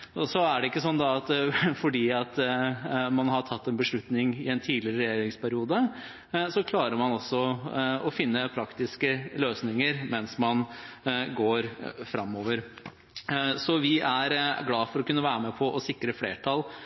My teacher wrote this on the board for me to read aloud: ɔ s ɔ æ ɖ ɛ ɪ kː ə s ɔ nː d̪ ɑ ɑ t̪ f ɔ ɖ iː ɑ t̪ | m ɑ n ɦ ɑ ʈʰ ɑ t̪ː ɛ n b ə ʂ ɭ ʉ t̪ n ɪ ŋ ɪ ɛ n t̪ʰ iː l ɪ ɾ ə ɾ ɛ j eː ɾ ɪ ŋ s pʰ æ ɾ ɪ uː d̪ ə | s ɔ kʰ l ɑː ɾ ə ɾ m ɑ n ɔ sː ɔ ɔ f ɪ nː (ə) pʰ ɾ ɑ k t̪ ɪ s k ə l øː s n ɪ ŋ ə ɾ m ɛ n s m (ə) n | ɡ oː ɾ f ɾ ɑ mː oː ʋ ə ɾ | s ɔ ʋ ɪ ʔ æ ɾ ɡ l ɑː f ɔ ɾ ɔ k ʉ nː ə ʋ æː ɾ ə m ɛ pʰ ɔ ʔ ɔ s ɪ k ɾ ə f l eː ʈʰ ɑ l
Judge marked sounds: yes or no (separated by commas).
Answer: yes, no